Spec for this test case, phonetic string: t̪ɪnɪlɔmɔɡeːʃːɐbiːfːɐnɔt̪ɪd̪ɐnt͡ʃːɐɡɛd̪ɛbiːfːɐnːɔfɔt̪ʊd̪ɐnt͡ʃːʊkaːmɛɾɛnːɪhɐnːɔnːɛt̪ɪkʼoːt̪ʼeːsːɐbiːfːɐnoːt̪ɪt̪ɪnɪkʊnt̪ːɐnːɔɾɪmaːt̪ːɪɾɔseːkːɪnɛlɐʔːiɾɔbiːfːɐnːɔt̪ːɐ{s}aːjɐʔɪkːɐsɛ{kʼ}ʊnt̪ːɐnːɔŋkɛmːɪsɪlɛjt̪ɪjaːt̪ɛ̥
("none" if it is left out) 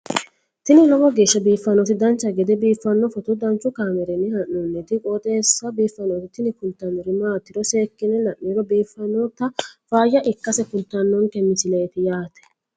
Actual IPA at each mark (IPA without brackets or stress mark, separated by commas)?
f, k